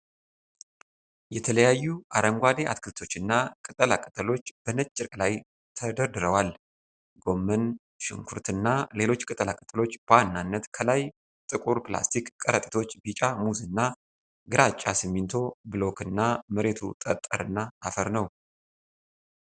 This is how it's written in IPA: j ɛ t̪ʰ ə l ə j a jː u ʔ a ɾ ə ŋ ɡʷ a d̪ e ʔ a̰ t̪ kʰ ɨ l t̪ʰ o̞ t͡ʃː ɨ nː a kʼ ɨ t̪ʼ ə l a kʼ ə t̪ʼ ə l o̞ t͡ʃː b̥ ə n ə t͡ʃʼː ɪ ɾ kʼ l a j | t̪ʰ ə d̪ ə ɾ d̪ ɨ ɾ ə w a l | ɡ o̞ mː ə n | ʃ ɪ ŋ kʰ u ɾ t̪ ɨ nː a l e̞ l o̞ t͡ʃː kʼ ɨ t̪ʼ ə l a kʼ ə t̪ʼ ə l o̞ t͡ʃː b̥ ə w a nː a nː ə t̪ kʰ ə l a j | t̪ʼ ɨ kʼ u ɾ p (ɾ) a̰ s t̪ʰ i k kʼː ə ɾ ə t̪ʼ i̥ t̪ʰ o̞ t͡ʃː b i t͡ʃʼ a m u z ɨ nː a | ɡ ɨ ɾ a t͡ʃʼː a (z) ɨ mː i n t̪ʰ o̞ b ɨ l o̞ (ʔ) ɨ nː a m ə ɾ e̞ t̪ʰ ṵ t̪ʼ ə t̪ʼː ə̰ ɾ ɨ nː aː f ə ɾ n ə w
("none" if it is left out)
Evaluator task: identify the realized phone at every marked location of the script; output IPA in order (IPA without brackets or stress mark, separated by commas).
l, s, k